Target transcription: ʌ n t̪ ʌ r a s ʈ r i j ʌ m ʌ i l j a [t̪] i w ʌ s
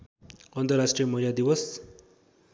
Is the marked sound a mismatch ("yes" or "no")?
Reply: yes